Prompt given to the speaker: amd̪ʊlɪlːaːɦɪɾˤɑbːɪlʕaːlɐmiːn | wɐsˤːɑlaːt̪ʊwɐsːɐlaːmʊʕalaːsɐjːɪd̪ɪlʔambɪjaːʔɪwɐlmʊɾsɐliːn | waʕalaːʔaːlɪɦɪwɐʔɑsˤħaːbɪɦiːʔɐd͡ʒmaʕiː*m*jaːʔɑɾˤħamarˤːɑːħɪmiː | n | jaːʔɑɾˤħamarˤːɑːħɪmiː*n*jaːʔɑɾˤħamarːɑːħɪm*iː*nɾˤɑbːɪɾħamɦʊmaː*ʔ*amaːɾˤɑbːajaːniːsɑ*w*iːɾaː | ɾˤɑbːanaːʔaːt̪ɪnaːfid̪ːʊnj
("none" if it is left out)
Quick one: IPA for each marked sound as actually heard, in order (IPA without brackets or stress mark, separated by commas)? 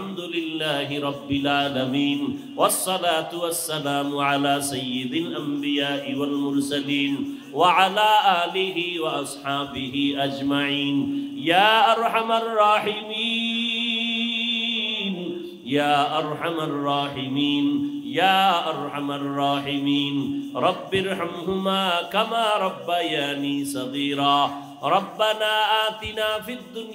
n, n, iː, k, ɣ